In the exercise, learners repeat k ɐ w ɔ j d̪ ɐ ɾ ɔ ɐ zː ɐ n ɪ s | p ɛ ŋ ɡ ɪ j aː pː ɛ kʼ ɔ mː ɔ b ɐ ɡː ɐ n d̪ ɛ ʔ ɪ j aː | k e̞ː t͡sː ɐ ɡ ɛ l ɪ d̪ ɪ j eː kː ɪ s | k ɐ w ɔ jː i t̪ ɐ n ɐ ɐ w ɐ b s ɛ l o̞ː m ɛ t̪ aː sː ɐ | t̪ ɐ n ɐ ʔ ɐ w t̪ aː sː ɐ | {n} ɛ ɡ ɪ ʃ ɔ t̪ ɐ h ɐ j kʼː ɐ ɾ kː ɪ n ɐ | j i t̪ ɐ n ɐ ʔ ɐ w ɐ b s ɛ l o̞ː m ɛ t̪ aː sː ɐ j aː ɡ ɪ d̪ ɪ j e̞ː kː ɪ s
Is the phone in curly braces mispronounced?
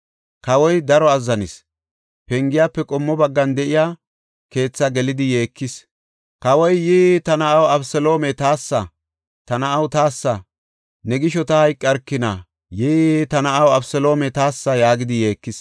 no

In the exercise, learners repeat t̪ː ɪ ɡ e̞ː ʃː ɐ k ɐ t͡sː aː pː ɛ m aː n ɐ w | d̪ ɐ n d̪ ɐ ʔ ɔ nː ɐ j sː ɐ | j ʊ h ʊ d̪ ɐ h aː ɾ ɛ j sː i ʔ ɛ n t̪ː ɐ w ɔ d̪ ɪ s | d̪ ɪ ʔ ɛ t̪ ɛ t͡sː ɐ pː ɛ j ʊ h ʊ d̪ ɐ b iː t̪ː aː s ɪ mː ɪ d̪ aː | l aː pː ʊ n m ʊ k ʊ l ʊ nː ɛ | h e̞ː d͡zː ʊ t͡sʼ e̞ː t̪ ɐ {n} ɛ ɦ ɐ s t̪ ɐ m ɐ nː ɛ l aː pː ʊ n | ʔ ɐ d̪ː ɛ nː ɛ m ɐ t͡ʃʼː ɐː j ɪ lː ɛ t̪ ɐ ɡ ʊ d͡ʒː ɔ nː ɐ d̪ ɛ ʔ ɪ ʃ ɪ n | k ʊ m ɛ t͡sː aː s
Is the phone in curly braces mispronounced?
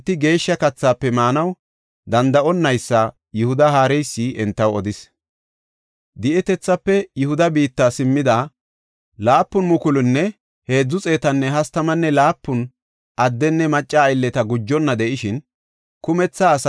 yes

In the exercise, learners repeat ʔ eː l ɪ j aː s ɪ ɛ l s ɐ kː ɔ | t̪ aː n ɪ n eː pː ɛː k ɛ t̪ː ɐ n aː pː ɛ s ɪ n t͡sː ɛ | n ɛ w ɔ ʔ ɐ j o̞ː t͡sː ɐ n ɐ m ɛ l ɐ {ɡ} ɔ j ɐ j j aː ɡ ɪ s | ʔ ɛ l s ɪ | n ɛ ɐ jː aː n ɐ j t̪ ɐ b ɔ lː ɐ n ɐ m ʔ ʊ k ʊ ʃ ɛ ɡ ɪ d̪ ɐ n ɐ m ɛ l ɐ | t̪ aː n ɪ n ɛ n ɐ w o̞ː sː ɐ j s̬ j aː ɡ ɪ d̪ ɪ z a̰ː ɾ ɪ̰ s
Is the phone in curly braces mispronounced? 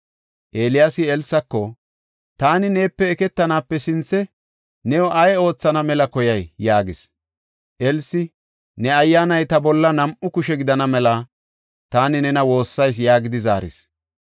yes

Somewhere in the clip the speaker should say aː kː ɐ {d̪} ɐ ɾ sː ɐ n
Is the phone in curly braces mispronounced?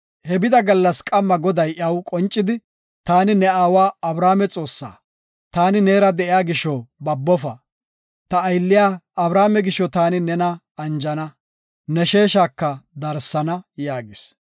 no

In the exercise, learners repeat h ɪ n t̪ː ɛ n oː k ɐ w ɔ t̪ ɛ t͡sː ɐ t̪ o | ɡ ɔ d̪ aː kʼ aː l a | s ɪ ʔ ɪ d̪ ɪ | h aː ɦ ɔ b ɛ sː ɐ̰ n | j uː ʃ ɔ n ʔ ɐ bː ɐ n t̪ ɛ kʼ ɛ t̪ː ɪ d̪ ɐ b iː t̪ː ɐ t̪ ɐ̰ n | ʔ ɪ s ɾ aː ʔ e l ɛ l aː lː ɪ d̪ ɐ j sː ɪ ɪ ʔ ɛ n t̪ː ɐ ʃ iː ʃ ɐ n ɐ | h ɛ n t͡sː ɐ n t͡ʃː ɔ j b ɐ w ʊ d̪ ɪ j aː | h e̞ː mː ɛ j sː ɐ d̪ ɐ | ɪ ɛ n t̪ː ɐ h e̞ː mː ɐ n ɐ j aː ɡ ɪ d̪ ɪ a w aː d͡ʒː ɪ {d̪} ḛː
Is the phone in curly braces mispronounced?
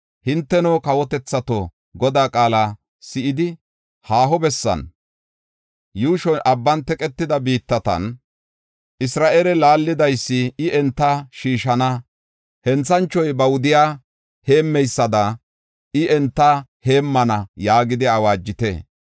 yes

